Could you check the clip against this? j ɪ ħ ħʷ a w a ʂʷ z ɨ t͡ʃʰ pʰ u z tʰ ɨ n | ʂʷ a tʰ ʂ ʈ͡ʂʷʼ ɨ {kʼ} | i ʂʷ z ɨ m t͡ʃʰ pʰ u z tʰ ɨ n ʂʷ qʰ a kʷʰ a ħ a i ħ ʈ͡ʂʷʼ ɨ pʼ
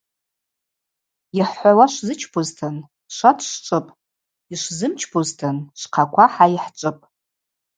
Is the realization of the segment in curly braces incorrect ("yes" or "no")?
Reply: yes